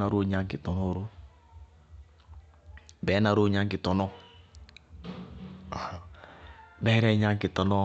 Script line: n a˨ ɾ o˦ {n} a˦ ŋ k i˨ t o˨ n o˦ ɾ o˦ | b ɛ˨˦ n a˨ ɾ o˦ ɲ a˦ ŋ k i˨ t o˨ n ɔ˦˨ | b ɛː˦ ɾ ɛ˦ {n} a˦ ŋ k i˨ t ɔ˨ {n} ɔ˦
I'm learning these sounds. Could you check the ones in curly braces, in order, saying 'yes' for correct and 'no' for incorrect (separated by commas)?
no, no, yes